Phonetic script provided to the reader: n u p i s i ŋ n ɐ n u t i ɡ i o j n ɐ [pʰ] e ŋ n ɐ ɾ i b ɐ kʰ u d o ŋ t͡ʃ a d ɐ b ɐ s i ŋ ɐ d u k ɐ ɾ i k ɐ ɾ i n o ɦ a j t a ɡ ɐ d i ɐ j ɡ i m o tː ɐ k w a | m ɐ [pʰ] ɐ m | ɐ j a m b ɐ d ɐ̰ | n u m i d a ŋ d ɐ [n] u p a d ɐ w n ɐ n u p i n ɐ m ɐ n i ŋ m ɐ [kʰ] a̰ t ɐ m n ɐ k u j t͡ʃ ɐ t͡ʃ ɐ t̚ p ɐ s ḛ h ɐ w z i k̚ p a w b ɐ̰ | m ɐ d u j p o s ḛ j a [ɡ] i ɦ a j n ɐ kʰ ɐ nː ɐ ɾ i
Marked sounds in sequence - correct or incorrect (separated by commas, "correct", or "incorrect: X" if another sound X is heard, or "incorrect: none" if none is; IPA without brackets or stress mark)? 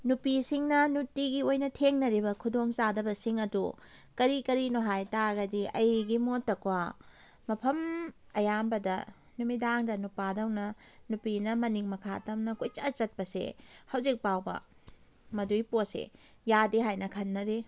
incorrect: tʰ, correct, correct, correct, incorrect: d